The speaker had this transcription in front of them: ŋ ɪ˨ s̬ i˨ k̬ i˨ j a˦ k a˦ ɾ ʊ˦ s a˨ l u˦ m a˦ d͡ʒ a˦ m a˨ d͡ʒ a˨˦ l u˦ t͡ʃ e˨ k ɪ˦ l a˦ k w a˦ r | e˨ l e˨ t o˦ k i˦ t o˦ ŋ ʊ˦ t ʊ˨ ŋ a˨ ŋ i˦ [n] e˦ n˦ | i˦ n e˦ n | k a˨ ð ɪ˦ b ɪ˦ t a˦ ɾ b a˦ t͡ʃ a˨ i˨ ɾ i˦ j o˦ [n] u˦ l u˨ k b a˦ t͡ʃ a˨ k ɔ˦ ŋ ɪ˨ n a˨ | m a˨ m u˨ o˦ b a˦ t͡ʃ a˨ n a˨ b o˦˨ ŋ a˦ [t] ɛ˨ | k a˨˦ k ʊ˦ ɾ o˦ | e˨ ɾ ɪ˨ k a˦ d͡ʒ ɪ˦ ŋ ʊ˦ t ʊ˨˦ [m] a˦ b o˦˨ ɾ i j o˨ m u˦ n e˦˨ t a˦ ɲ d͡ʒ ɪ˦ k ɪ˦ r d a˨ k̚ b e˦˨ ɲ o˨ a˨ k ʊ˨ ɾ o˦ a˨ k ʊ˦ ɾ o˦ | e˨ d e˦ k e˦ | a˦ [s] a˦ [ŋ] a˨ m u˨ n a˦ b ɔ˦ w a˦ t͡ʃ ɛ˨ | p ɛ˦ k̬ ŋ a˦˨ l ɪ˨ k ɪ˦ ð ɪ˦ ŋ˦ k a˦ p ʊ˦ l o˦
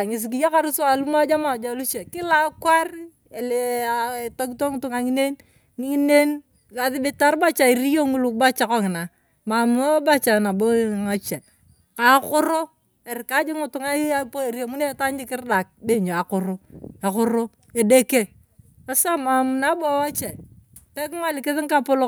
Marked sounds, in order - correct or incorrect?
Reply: correct, incorrect: ŋ, incorrect: t͡ʃ, incorrect: ŋ, correct, incorrect: m

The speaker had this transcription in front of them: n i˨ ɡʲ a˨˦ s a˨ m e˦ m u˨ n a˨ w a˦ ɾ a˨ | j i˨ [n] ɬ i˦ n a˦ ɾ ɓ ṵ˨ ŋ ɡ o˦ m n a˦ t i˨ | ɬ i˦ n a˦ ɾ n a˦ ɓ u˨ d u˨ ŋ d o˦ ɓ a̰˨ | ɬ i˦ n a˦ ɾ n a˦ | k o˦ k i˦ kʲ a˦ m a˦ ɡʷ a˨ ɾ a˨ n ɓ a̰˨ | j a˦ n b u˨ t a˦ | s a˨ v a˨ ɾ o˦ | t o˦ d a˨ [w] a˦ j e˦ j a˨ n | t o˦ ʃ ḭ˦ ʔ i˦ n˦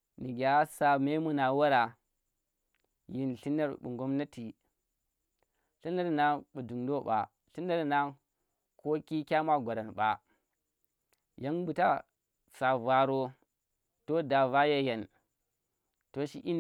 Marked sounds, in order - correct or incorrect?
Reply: correct, incorrect: v

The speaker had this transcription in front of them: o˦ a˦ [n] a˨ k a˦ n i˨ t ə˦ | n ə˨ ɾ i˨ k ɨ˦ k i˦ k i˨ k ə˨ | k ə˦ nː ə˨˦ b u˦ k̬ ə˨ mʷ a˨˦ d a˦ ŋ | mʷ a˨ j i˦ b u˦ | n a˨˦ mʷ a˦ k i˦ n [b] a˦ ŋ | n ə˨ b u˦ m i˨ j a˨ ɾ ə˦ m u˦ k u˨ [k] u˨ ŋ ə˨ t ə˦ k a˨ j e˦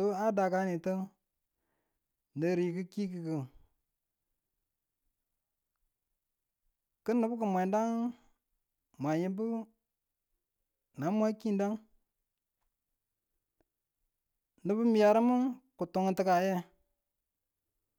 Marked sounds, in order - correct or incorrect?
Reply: incorrect: d, incorrect: d, incorrect: t

